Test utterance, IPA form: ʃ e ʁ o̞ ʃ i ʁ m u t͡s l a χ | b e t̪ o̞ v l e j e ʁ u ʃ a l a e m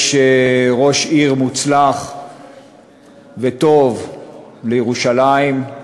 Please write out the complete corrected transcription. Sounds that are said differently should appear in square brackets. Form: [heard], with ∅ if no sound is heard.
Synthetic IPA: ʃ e ʁ o̞ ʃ i ʁ m u t͡s l a χ | [v] e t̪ o̞ v l e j e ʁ u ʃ a l a [i] m